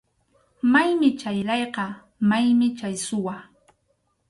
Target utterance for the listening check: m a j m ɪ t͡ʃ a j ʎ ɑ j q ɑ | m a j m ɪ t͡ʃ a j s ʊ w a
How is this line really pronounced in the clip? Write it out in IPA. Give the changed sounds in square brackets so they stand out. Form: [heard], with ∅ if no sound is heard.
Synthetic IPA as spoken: m a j m ɪ t͡ʃ a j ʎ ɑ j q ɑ | m a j m ɪ t͡ʃ a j s ʊ w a